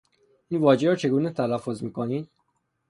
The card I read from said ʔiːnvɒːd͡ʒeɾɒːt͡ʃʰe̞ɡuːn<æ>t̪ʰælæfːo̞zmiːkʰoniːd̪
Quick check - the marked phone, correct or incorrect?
incorrect: e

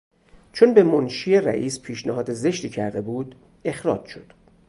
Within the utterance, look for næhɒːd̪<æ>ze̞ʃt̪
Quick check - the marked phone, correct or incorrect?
incorrect: e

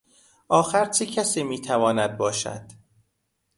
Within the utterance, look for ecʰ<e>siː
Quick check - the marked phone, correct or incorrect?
incorrect: æ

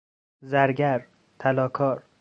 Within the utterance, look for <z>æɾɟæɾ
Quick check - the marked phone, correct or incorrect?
correct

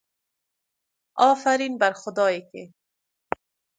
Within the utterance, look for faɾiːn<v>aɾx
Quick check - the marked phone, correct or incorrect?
incorrect: b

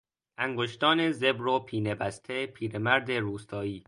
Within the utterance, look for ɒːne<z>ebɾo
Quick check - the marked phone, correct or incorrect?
correct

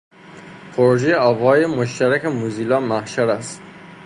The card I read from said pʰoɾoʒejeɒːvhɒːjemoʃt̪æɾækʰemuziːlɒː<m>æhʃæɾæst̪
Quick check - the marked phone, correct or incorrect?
correct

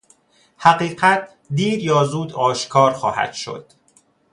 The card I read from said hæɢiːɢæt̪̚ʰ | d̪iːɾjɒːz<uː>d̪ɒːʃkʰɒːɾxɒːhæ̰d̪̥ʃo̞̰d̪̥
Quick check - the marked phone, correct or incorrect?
correct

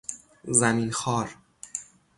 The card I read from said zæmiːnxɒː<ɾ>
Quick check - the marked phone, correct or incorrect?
correct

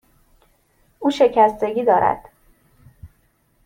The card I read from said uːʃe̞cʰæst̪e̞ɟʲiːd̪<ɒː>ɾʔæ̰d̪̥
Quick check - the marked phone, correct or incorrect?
correct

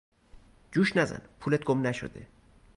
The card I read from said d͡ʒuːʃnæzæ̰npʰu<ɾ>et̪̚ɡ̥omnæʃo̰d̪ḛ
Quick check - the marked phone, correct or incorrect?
incorrect: l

